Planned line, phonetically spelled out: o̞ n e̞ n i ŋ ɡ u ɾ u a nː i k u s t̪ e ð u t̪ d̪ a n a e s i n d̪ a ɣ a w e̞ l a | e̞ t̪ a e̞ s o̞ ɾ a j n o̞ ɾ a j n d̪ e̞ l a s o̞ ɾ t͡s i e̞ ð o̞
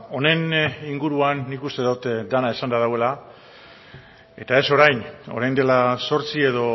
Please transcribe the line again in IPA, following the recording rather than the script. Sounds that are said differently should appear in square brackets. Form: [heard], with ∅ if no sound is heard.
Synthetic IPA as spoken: o̞ n e̞ n i ŋ ɡ u ɾ u a nː i k u s t̪ e ð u t̪ d̪ a n a e s [a] n d̪ a [ð] a w e̞ l a | e̞ t̪ a e̞ s o̞ ɾ a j n o̞ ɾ a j n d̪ e̞ l a s o̞ ɾ t͡s i e̞ ð o̞